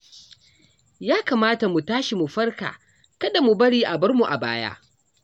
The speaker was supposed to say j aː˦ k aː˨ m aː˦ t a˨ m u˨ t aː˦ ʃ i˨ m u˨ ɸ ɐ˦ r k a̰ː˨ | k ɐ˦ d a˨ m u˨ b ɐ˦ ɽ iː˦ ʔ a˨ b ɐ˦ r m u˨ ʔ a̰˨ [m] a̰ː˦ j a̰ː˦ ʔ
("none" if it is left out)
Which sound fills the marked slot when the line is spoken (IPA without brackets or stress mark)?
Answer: b